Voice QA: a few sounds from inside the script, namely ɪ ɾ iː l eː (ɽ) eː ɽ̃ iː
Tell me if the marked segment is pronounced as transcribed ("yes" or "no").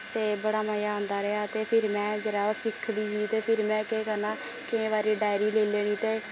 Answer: no